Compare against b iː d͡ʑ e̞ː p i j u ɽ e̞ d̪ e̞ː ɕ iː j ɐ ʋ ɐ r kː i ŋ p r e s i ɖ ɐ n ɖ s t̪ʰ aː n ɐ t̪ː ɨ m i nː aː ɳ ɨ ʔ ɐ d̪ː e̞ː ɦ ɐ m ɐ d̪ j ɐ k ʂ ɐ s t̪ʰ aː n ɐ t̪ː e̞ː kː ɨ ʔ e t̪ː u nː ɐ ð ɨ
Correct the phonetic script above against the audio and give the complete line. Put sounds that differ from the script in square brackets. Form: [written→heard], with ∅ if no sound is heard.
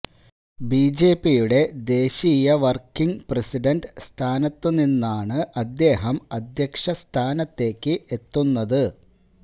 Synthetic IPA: b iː d͡ʑ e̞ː p i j u ɽ e̞ d̪ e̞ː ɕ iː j ɐ ʋ ɐ r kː i ŋ p r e s i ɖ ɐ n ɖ s t̪ʰ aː n ɐ t̪ː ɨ [m→n] i nː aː ɳ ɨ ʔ ɐ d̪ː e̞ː ɦ ɐ m ɐ d̪ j ɐ k ʂ ɐ s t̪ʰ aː n ɐ t̪ː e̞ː kː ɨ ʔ e t̪ː u nː ɐ ð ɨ